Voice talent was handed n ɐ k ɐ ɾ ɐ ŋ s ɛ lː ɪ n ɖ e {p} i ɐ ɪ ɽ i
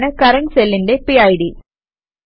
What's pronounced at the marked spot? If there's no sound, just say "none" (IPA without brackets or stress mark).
p